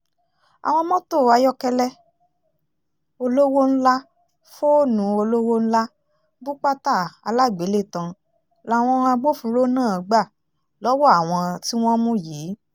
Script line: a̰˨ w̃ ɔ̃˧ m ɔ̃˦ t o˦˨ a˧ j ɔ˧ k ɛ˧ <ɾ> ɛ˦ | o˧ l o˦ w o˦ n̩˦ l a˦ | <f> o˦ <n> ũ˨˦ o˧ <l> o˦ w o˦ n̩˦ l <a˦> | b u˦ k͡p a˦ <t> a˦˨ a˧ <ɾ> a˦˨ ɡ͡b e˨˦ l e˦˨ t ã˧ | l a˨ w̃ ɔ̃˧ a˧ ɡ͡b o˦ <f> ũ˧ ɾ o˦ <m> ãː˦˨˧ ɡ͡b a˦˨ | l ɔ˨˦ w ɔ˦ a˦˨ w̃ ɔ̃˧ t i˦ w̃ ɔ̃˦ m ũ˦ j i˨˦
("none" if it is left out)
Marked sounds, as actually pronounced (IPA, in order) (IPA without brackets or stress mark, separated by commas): l, f, n, l, a˦, t, l, f, n